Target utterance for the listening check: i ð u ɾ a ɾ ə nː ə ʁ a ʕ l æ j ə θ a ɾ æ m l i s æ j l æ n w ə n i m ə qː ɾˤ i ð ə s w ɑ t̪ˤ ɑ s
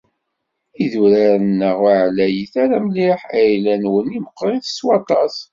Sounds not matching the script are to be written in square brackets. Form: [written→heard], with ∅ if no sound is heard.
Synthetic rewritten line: i ð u ɾ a ɾ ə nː ə ʁ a ʕ l æ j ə θ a ɾ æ m l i [s→ħ] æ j l æ n w ə n i m ə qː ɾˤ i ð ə s w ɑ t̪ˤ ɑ s